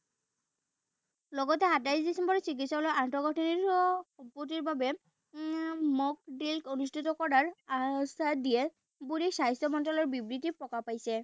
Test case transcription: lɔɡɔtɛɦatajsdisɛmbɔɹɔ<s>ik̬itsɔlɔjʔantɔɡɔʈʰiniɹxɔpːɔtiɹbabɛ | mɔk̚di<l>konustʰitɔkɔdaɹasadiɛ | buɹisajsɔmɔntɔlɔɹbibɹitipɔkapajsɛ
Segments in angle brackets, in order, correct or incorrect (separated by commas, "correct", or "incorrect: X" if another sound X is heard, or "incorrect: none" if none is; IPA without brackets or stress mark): correct, correct